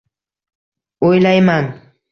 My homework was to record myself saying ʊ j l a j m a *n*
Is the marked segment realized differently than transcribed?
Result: yes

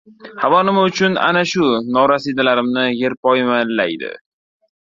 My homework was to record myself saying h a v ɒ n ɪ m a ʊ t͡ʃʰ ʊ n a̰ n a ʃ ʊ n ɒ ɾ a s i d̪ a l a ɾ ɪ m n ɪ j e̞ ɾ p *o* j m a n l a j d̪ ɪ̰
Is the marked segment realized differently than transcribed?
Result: yes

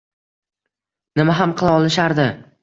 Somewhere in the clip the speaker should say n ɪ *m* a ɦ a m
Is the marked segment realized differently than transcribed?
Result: no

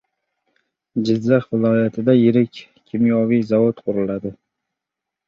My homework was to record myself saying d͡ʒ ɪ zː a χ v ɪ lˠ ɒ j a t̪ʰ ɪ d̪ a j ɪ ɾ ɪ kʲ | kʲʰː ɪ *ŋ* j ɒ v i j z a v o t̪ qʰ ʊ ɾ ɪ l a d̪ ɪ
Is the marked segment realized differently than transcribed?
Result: yes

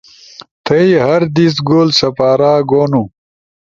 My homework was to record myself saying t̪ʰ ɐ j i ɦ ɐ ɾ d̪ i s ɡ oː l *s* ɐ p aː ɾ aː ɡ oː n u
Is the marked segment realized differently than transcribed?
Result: no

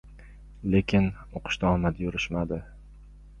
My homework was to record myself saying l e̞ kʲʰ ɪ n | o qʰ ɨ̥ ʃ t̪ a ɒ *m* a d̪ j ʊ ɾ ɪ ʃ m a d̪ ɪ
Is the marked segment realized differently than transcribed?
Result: no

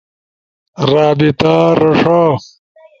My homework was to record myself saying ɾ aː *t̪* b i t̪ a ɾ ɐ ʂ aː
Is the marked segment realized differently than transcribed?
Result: yes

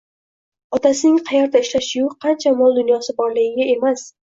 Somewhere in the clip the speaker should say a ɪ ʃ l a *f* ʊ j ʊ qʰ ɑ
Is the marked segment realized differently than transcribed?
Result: yes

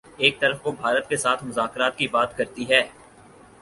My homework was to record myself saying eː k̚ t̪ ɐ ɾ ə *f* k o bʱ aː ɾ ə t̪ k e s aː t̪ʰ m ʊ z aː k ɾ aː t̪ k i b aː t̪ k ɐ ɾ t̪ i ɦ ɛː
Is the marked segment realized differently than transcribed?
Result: no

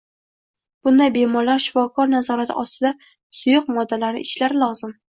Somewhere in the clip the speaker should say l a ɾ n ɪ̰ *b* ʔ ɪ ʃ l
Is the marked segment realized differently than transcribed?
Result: yes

